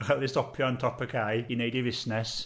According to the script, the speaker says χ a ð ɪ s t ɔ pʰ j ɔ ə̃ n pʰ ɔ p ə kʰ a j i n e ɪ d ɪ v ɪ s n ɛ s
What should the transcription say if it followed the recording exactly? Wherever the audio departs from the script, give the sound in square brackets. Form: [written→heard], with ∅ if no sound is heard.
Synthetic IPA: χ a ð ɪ s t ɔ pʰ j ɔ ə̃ n [pʰ→tʰ] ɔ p ə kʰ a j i n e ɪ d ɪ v ɪ s n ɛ s